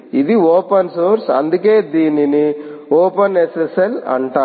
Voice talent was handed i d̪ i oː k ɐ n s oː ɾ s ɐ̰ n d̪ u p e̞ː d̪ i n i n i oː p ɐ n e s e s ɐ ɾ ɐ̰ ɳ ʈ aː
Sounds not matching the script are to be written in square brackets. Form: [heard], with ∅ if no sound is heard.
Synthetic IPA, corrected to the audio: i d̪ i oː [p] ɐ n s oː ɾ s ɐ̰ n d̪ u [k] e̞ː d̪ [iː] n i n i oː p ɐ n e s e s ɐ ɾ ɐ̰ ɳ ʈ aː

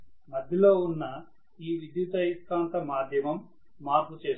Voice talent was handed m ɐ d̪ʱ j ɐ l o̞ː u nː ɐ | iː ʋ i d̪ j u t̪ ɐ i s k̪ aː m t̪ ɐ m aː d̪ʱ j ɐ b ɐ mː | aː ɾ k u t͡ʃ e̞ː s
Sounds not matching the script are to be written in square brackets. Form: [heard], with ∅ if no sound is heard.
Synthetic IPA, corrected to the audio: m ɐ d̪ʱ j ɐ l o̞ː u nː ɐ | iː ʋ i d̪ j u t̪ ɐ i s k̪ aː [n] t̪ ɐ m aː d̪ʱ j ɐ [m] ɐ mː | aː ɾ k u t͡ʃ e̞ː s

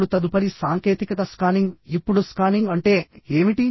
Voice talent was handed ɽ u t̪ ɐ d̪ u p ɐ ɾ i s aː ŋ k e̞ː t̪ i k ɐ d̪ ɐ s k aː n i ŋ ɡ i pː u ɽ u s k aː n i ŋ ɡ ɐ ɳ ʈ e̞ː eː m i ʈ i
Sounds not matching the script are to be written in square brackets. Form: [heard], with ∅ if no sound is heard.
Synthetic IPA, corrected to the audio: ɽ u t̪ ɐ d̪ u p ɐ ɾ i s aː ŋ k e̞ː t̪ i k ɐ [t̪] ɐ s k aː n i ŋ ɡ i pː u ɽ u s k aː n i ŋ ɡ ɐ ɳ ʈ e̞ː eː m i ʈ i

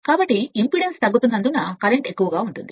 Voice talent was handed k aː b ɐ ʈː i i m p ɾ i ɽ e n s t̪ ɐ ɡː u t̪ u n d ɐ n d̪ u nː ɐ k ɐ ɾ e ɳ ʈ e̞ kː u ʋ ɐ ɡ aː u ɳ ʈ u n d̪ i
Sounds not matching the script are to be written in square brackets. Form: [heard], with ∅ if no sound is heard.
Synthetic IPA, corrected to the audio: k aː b ɐ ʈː i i m p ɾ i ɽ e n s t̪ ɐ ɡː u t̪ u n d ɐ n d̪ u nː ɐ k ɐ ɾ e ɳ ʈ e̞ kː u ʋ ɐ ɡ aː u ɳ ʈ u n d̪ i

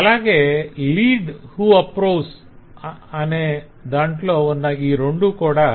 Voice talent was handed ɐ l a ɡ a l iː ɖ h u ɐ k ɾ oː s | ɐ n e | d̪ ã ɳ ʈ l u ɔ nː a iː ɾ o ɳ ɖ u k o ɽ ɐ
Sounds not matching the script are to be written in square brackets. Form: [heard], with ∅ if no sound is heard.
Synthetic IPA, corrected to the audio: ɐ l a ɡ [e] l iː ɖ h u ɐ [p] ɾ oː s | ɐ n e | d̪ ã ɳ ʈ l [o] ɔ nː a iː ɾ o ɳ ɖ u k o ɽ [a]

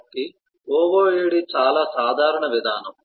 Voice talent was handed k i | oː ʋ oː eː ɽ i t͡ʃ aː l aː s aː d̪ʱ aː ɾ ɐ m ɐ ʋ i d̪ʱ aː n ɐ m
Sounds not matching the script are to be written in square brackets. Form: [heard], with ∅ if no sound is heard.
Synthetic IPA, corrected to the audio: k i | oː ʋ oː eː ɽ i t͡ʃ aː l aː s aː d̪ʱ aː ɾ ɐ [ɳ] ɐ ʋ i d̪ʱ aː n ɐ m

